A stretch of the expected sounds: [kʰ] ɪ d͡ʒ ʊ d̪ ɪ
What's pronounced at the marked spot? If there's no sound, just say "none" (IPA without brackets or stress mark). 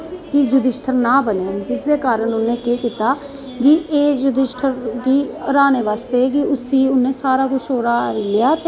k